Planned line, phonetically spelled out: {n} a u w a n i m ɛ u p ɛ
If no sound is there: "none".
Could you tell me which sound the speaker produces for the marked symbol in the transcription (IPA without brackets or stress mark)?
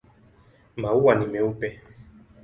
m